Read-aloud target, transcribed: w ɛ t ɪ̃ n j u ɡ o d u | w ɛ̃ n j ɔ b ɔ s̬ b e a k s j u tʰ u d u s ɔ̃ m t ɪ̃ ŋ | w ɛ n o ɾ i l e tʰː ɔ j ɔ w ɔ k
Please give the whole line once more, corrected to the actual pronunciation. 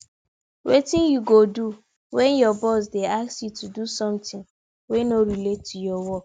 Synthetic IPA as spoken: w e t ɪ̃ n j u ɡ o d u | w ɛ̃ n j ɔ b ɔ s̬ d e a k s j u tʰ u d u s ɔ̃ m t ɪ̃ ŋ | w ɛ n o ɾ i l e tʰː u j ɔ w ɔ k